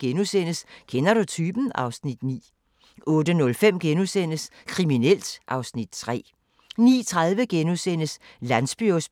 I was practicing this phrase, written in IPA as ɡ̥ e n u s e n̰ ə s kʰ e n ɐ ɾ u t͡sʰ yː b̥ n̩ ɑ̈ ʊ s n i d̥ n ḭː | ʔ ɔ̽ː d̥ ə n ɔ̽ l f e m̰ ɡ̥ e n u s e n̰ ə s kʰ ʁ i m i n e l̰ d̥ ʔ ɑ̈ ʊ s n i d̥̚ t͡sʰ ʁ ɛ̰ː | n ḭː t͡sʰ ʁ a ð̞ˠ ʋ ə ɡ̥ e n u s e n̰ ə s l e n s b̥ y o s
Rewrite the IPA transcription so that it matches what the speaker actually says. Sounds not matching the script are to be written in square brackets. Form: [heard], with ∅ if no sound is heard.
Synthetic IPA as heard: ɡ̥ e n u s e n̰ ə s kʰ e n ɐ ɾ u t͡sʰ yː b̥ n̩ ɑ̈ ʊ s n i d̥ n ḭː | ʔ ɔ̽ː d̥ ə n ɔ̽ l f e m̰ ɡ̥ e n u s e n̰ ə s kʰ ʁ i m i n e l̰ d̥ ʔ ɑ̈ ʊ s n i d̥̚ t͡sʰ ʁ ɛ̰ː | n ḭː t͡sʰ ʁ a ð̞ˠ ʋ ə ɡ̥ e n u s e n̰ ə s l [æ] n s b̥ y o s